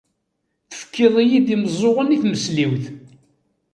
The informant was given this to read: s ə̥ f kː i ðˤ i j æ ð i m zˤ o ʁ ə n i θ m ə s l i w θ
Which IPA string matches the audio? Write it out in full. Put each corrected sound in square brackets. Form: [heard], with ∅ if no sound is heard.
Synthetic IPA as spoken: [θ] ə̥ f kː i ðˤ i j [i] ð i m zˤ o ʁ ə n i θ m ə s l i w θ